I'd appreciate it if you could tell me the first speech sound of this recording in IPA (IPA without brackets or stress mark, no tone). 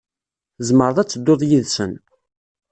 z